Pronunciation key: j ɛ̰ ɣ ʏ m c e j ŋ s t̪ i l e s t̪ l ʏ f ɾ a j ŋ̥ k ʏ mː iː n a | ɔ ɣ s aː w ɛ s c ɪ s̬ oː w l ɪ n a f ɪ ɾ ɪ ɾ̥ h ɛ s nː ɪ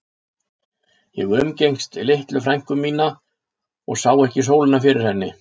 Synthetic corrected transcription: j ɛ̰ ɣ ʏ m c e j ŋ s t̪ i l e h t̪ l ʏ f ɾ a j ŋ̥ k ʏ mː iː n a | ɔ ɣ s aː w ɛ h c ɪ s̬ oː w l ɪ n a f ɪ ɾ ɪ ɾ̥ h ɛ nː ɪ